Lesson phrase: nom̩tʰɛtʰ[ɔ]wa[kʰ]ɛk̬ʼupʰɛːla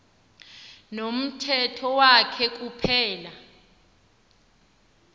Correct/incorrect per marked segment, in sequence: correct, correct

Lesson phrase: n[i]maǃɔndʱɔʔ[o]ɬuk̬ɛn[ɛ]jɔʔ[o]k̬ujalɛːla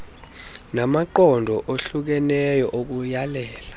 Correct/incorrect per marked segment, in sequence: incorrect, correct, correct, correct

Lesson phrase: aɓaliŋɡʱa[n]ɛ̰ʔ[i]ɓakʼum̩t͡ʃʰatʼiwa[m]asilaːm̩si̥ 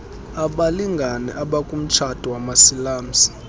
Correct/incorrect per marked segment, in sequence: correct, incorrect, correct

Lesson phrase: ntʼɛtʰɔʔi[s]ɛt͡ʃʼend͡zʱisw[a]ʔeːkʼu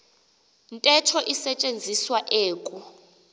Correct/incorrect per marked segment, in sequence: correct, correct

